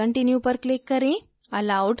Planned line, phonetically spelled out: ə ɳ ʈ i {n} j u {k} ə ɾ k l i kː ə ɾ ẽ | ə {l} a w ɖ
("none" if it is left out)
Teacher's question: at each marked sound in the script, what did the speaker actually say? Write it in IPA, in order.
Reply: n, p, l

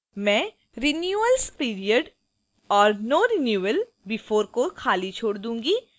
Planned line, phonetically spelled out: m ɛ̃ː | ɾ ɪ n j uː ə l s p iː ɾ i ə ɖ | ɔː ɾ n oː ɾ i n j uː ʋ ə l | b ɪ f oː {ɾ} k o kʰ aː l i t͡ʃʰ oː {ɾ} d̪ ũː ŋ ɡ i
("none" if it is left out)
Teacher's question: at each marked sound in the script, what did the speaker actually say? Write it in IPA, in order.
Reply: ɾ, ɽ

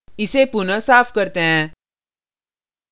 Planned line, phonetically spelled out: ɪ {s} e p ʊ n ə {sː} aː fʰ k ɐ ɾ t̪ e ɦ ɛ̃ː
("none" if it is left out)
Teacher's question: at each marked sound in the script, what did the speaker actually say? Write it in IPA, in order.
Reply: s, s

